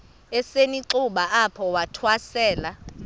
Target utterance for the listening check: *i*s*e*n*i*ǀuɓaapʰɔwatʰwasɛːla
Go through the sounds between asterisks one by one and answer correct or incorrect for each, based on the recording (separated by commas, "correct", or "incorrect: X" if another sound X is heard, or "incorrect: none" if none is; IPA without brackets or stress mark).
incorrect: ɛ, correct, correct